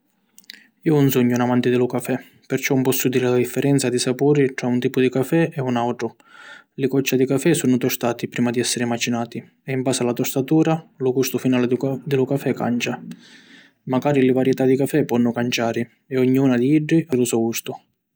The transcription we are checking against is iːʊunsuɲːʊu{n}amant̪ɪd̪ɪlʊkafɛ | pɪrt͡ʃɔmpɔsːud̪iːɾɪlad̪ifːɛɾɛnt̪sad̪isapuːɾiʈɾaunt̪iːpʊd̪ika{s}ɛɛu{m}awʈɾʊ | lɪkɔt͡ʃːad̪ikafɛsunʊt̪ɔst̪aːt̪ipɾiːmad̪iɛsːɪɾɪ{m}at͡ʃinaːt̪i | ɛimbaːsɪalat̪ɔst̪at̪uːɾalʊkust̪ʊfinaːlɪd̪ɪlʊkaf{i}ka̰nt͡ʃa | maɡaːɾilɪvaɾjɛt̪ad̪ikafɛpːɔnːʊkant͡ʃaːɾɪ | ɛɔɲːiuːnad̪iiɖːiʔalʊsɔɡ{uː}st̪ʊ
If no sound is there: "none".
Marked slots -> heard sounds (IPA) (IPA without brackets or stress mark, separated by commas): n, f, n, m, ɛ, u